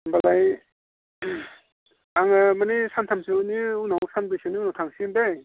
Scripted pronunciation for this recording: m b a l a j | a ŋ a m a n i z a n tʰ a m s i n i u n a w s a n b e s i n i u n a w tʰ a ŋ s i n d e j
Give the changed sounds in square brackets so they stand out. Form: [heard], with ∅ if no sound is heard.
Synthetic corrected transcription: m b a l a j | a ŋ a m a n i [s] a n tʰ a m s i n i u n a w s a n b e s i n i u n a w tʰ a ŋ s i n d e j